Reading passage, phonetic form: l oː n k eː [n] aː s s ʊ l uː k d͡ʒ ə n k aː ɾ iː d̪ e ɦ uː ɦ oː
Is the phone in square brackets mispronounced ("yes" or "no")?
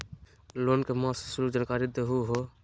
yes